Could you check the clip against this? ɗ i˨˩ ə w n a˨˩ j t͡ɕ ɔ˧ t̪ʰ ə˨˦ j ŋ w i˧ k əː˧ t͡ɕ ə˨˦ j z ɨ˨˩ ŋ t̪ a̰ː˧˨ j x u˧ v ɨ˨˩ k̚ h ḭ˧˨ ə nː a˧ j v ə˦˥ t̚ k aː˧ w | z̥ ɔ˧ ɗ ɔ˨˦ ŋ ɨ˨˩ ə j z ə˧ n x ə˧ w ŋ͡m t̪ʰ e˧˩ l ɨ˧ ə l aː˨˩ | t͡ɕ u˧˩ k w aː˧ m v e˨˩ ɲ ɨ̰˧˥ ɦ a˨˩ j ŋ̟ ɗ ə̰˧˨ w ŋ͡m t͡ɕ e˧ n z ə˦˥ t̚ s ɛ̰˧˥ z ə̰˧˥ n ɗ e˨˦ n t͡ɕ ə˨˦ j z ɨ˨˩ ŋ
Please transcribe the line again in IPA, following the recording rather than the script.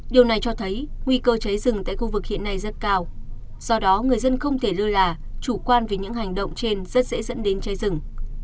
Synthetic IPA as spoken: ɗ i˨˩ ə w n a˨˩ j t͡ɕ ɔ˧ t̪ʰ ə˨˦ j ŋ w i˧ k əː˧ t͡ɕ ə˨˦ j z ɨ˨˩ ŋ t̪ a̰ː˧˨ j x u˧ v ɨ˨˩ k̚ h ḭ˧˨ ə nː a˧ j z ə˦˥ t̚ k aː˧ w | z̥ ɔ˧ ɗ ɔ˨˦ ŋ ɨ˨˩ ə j z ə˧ n x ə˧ w ŋ͡m t̪ʰ e˧˩ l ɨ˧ ə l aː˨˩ | t͡ɕ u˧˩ k w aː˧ n v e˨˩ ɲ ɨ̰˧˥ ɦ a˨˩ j ŋ̟ ɗ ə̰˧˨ w ŋ͡m t͡ɕ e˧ n z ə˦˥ t̚ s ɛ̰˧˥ z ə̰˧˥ n ɗ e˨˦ n t͡ɕ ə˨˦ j z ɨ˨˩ ŋ

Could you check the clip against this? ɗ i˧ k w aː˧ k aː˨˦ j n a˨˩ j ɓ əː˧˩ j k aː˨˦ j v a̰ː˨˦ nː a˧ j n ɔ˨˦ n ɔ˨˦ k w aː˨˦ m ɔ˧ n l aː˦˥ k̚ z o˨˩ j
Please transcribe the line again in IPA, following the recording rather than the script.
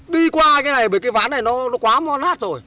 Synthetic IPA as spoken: ɗ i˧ k w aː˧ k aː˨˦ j n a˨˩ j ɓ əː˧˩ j k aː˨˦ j v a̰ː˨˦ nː a˨˩ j n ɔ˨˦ n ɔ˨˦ k w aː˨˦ m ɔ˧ n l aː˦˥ t̚ z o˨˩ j

